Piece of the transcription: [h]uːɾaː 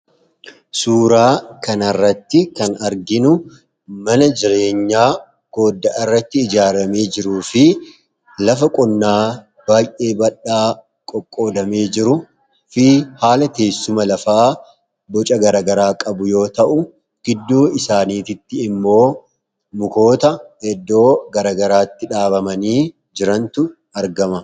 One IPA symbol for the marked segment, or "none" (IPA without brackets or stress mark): s